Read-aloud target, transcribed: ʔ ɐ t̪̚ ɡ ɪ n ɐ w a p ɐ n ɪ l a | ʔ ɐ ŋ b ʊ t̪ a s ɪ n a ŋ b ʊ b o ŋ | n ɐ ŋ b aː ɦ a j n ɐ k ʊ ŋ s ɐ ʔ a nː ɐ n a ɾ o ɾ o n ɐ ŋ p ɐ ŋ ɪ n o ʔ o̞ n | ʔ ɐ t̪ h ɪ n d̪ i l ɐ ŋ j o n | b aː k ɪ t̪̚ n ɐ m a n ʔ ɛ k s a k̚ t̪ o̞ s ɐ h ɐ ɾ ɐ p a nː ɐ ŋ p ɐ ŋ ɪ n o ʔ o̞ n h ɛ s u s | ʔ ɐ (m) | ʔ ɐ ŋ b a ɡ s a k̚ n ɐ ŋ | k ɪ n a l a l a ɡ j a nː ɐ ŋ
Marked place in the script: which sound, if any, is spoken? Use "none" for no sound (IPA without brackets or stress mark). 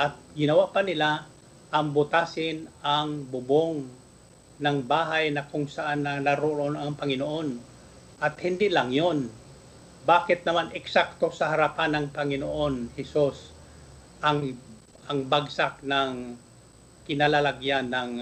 ŋ